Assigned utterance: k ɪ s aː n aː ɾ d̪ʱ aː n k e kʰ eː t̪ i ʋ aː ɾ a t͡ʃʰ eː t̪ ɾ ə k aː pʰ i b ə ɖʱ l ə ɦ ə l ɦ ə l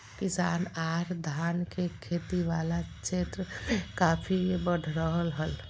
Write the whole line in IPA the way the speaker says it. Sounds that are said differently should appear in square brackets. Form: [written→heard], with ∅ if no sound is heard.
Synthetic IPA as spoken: k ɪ s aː n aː ɾ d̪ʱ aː n k e kʰ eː t̪ i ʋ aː [ɾ→l] a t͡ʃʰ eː t̪ ɾ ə k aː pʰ i b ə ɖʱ [l→ɾ] ə ɦ ə l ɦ ə l